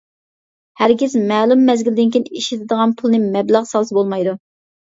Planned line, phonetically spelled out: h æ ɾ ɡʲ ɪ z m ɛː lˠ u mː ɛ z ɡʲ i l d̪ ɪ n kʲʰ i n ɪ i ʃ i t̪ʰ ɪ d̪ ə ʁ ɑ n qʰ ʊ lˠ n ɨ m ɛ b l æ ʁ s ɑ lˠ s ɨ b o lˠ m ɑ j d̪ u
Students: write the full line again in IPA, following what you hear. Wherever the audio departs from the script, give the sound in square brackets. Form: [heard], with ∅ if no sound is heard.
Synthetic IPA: h æ ɾ ɡʲ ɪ z m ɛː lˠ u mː ɛ z ɡʲ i l d̪ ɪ n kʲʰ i n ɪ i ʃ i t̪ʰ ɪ d̪ ə ʁ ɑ n [pʰ] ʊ lˠ n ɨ m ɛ b l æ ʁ s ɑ lˠ s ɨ b o lˠ m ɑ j d̪ u